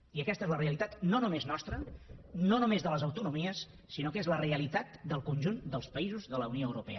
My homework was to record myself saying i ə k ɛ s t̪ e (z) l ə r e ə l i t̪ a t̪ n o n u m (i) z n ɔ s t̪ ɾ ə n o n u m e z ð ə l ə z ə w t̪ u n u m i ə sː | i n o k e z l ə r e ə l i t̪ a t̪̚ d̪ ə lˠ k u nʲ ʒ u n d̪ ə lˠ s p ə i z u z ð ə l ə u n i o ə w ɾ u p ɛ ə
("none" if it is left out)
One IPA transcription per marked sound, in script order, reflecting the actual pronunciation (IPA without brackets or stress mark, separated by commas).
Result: z, e